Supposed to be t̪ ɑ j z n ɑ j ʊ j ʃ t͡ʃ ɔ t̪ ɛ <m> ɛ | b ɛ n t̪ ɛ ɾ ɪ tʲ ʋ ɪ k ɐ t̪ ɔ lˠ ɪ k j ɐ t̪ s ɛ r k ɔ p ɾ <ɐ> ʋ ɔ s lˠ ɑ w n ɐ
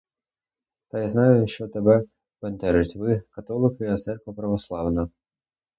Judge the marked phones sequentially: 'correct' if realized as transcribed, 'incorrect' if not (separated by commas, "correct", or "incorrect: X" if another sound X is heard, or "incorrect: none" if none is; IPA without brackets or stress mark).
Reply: incorrect: b, correct